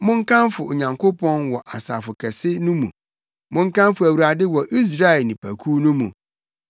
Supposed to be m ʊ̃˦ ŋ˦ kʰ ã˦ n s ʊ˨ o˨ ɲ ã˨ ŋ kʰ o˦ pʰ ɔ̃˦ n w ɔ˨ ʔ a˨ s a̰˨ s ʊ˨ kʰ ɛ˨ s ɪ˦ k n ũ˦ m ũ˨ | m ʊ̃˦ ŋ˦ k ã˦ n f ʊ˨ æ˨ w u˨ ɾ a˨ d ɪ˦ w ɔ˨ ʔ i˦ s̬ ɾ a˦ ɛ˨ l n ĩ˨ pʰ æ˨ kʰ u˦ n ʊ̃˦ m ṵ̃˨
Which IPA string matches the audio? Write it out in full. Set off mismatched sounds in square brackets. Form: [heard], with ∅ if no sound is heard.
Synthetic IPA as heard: m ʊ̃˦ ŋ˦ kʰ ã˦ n [f] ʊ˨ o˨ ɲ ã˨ ŋ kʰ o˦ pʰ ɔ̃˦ n w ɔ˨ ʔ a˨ s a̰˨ [f] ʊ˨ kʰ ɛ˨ s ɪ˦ [∅] n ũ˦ m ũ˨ | m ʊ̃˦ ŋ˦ k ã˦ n f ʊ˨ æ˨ w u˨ ɾ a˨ d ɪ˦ w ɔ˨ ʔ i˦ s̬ ɾ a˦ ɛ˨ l n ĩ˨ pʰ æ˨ kʰ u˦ n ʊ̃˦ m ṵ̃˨